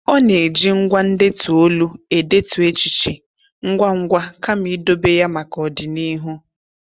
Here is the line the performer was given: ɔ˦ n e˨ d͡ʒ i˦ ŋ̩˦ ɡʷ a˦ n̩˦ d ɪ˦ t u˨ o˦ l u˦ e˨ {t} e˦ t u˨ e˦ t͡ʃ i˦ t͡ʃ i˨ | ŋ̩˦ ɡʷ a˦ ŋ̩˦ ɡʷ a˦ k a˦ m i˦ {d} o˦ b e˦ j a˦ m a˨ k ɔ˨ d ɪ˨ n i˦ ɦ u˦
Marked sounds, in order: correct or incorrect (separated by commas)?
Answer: incorrect, correct